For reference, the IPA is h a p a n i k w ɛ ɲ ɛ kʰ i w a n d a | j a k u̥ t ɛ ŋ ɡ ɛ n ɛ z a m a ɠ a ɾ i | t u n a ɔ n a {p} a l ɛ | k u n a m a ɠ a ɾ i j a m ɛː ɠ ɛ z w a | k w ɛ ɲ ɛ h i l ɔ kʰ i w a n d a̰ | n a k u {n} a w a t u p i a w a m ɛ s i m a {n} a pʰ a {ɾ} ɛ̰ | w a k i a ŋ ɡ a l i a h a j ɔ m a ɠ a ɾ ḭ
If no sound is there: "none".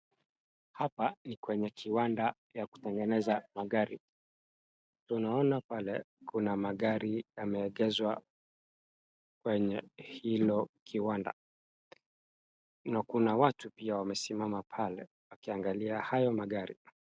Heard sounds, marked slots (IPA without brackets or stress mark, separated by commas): p, n, m, l